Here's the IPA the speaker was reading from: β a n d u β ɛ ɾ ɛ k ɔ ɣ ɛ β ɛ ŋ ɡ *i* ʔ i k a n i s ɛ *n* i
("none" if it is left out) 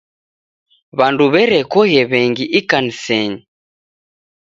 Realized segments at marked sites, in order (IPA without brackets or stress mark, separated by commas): i, ɲ